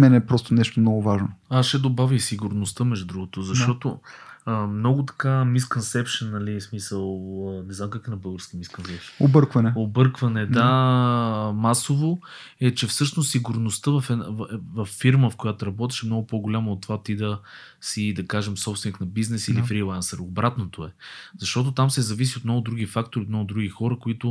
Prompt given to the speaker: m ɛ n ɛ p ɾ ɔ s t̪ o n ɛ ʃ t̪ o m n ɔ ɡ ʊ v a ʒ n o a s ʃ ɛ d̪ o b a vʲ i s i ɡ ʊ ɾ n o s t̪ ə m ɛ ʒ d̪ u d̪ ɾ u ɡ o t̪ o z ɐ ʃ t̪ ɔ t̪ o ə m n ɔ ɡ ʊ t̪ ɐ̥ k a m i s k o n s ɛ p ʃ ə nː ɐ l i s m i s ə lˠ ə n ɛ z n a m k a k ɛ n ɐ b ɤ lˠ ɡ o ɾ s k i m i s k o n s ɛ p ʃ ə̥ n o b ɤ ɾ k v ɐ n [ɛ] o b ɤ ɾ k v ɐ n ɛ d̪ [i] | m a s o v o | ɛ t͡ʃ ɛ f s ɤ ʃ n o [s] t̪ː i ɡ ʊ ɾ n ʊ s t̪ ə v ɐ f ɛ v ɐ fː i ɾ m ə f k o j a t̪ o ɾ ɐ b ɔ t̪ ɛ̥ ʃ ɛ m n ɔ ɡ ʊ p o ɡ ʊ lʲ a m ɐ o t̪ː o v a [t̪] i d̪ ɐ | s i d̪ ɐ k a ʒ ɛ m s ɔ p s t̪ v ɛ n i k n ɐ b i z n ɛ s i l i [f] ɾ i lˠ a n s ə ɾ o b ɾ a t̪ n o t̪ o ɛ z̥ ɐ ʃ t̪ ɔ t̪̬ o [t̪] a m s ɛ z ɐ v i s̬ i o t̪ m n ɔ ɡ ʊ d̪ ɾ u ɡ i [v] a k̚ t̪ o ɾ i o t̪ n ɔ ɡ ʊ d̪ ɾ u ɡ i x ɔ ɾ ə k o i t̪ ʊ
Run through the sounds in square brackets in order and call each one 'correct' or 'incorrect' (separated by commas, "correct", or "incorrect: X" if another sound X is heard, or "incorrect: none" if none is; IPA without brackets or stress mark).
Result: correct, incorrect: a, correct, correct, correct, correct, incorrect: f